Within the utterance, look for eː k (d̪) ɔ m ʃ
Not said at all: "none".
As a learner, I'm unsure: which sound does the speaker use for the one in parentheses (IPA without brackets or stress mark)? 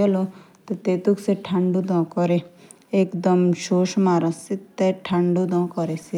d̪